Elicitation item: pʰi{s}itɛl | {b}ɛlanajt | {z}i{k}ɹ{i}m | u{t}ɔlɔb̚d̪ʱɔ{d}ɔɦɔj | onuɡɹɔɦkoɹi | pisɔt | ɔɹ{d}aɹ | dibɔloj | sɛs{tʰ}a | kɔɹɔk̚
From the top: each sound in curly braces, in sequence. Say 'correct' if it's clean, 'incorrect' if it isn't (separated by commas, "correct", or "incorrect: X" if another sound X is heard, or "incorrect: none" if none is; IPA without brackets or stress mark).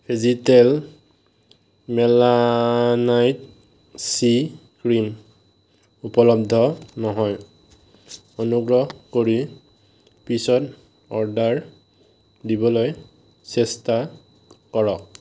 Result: incorrect: z, incorrect: m, incorrect: s, correct, correct, incorrect: p, incorrect: n, correct, incorrect: t